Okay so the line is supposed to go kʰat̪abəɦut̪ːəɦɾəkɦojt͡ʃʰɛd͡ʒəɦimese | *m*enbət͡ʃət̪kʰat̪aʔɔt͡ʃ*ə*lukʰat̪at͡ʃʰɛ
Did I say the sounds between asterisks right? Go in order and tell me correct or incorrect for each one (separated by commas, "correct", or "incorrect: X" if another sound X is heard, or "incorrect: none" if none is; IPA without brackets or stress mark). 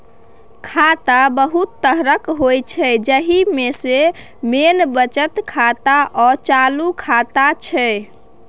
correct, incorrect: a